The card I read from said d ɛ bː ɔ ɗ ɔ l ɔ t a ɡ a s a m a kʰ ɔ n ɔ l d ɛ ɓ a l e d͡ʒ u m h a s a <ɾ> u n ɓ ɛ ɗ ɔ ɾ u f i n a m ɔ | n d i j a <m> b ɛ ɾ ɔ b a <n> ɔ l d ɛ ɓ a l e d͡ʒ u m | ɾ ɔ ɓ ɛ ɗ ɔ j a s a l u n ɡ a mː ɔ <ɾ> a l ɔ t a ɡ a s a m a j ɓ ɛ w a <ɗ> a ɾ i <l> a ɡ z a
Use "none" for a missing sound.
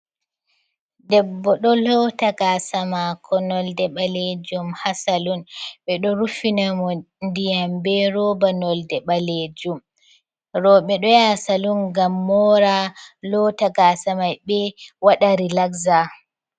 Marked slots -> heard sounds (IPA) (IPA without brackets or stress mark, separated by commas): l, m, n, ɾ, ɗ, l